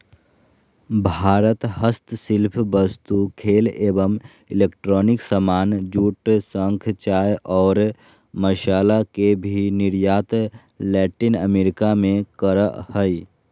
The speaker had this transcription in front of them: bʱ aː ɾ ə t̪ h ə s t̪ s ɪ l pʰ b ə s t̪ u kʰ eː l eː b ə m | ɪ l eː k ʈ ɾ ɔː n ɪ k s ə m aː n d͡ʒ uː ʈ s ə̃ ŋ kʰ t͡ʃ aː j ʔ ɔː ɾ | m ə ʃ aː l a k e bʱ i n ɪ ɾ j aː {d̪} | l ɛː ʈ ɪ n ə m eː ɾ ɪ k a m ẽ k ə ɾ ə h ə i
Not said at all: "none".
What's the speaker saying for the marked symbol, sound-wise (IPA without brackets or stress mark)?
t̪